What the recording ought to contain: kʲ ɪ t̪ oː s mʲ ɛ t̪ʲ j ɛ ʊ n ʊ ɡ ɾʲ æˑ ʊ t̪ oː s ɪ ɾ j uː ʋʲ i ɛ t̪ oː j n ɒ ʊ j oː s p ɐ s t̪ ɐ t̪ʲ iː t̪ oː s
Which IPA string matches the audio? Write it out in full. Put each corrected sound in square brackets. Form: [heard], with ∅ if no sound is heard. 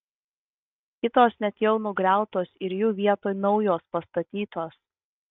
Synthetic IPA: kʲ ɪ t̪ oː s [nʲ] ɛ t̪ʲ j ɛ ʊ n ʊ ɡ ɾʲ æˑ ʊ t̪ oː s ɪ ɾ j uː ʋʲ i ɛ t̪ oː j n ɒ ʊ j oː s p ɐ s t̪ ɐ t̪ʲ iː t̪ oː s